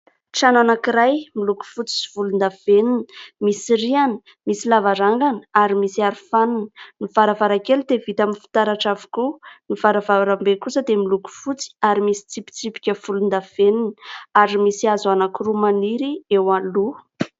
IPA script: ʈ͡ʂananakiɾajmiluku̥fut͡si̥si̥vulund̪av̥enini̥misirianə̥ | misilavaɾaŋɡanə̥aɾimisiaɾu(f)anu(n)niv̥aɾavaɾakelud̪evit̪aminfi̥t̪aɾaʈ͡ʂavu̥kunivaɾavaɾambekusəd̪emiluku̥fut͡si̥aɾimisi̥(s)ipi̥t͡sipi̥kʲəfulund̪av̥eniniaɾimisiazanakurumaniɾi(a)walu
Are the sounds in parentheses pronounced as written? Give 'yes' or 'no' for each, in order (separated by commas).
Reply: yes, yes, no, no